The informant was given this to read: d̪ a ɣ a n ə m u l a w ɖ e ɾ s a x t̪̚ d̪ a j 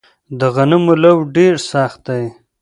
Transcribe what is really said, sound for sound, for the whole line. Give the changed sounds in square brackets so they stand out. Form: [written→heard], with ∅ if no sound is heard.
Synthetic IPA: d̪ [a→ə] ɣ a n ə m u l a w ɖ e ɾ s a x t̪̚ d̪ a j